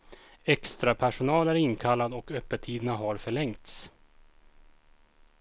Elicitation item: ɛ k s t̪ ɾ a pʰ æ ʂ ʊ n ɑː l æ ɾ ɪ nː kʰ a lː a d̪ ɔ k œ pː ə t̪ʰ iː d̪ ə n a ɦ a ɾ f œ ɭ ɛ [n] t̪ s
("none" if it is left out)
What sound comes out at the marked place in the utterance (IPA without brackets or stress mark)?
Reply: ŋ